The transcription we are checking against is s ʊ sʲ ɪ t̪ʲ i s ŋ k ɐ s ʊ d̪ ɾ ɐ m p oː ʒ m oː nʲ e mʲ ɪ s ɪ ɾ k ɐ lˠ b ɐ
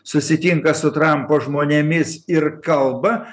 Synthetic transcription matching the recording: s ʊ sʲ ɪ t̪ʲ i ŋ k ɐ s ʊ t̪ ɾ ɐ m p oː ʒ m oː nʲ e mʲ ɪ s ɪ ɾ k ɐ lˠ b ɐ